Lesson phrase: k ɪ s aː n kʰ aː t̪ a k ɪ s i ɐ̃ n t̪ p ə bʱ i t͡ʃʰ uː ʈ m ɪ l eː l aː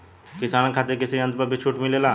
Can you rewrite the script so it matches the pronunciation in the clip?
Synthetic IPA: k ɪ s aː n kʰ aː t̪ e k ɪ s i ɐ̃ n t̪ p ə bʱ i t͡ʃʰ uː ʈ m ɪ l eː l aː